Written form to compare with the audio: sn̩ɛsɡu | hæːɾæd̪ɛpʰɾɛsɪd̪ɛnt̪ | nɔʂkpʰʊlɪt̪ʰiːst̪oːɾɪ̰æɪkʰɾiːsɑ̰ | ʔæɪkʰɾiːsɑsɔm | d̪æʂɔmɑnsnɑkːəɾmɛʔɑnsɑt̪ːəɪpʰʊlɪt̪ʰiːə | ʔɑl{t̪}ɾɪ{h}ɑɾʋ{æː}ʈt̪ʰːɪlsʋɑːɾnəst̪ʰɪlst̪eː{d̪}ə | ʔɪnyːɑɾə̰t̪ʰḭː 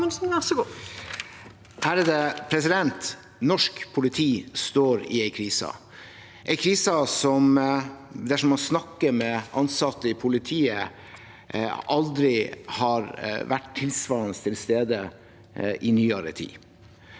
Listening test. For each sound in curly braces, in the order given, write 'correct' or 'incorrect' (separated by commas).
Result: incorrect, correct, incorrect, correct